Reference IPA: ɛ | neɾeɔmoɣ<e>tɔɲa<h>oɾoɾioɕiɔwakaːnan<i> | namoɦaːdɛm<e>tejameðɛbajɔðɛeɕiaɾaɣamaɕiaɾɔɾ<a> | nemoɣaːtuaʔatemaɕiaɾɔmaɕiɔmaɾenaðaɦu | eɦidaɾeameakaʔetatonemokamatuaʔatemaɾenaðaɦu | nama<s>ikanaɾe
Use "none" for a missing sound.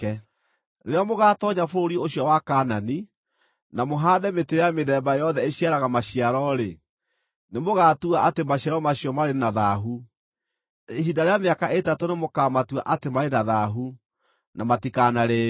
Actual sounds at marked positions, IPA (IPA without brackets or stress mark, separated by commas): a, f, i, e, e, t